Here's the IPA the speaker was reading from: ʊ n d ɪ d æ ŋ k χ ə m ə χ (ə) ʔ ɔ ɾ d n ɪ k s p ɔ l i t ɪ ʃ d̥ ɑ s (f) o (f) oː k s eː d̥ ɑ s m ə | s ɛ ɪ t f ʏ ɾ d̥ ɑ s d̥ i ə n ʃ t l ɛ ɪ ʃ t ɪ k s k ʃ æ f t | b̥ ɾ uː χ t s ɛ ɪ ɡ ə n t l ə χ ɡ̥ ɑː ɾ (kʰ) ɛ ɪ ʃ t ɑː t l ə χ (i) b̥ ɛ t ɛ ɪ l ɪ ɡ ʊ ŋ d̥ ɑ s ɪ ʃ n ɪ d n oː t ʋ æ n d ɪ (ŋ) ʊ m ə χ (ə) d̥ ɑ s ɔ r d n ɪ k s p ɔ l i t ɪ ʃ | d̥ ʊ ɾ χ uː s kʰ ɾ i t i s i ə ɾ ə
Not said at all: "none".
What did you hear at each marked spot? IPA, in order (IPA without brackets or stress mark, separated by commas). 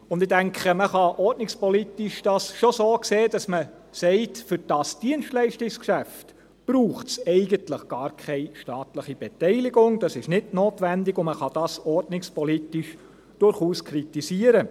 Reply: ɑ, ʃ, s, kʰ, i, ɡ, ɑ